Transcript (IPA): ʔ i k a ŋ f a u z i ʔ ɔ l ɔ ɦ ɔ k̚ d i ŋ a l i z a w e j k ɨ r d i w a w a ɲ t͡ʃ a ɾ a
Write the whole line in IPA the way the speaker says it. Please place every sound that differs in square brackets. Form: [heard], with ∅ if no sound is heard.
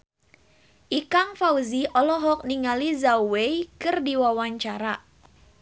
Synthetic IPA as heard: ʔ i k a ŋ f a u z i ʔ ɔ l ɔ ɦ ɔ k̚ [n] i ŋ a l i z a w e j k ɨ r d i w a w a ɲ t͡ʃ a ɾ a

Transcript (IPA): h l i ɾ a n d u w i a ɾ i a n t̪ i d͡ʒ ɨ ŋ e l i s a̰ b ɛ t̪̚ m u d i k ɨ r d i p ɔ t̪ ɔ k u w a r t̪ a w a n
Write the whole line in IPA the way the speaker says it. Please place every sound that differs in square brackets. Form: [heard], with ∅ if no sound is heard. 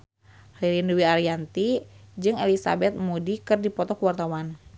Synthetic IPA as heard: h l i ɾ [i] n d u w i a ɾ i a n t̪ i d͡ʒ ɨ ŋ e l i s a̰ b ɛ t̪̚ m u d i k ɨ r d i p ɔ t̪ ɔ k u w a r t̪ a w a n

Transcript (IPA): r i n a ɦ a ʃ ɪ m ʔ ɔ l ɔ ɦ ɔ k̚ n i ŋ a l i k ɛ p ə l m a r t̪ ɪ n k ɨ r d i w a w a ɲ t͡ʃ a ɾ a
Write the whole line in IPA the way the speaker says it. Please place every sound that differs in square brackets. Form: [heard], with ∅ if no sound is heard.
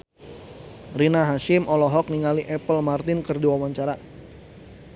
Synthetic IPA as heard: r i n a ɦ a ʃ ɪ m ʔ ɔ l ɔ ɦ ɔ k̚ n i ŋ a l i [ʔ] ɛ p ə l m a r t̪ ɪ n k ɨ r d i w a w a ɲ t͡ʃ a ɾ a

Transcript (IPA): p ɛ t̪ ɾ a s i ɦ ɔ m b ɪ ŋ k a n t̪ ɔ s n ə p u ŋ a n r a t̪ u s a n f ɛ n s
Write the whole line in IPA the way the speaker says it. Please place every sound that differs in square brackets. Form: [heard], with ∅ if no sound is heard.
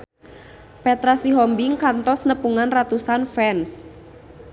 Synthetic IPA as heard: p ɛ t̪ ɾ a s i ɦ ɔ m b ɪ ŋ k a n t̪ ɔ s n ə p u ŋ a n r a t̪ u s a n f ɛ n s

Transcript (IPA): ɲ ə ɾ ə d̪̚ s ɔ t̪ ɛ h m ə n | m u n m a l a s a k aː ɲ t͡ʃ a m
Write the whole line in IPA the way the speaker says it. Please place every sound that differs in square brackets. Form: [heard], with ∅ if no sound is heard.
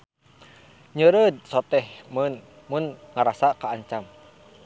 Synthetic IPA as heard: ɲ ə ɾ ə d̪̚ s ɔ t̪ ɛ h m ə n | m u n [ŋ] a [ɾ] a s a k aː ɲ t͡ʃ a m

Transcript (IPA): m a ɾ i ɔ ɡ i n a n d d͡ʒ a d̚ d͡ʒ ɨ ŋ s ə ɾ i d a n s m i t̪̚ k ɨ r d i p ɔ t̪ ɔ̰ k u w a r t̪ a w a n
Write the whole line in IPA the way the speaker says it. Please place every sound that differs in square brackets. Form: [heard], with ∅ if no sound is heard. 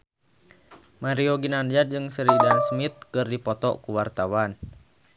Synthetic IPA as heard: m a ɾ i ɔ ɡ i n a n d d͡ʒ a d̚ d͡ʒ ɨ ŋ s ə ɾ i d a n s m i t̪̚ k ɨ r d i p ɔ t̪ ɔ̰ k u w a r t̪ a w a n

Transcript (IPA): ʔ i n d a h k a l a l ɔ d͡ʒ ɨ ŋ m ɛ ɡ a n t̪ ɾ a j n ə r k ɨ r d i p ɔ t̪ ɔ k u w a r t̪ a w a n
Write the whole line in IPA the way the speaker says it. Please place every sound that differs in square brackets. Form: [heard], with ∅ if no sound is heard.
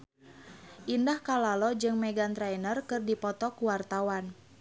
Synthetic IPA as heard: ʔ i n d a h k a l a l ɔ d͡ʒ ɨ ŋ m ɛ ɡ a n t̪ ɾ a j n ə r k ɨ r d i p ɔ t̪ ɔ k u w a r t̪ a w a n

